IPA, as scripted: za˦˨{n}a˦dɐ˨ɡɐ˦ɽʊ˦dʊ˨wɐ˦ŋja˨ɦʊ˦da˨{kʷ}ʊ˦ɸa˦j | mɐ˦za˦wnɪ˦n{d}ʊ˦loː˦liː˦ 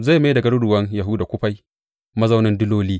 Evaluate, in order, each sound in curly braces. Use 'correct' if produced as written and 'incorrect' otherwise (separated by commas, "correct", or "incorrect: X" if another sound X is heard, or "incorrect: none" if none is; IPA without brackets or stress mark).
incorrect: m, correct, correct